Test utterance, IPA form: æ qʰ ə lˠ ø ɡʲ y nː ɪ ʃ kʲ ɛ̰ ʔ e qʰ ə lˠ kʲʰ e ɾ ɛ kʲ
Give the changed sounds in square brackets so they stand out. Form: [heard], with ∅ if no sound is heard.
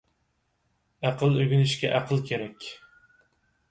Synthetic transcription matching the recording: æ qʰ ə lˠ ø ɡʲ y [n] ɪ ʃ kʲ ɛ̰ ʔ [æ] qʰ ə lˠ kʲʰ e ɾ ɛ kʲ